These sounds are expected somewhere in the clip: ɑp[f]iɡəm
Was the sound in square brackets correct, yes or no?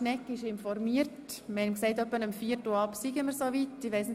no